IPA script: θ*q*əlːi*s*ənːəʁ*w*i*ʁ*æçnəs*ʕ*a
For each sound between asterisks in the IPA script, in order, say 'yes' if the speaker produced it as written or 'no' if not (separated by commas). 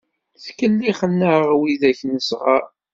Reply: no, no, yes, no, no